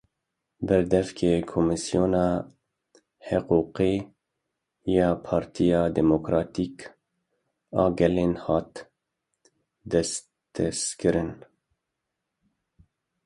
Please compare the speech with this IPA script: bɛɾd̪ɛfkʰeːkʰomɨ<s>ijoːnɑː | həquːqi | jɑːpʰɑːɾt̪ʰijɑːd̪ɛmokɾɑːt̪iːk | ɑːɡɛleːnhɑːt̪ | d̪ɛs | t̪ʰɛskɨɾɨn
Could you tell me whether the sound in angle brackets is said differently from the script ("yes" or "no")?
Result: no